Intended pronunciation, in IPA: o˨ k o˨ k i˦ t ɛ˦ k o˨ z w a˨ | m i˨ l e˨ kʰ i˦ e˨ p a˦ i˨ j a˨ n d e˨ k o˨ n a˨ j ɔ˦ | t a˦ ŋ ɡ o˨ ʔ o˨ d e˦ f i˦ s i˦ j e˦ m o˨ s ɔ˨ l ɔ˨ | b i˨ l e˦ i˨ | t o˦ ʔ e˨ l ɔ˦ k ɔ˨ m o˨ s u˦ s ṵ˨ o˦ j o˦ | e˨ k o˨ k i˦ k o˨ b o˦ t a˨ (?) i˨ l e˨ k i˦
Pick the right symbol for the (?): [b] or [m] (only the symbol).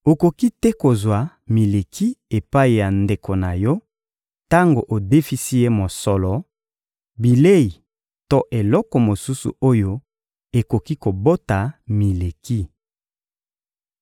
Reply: m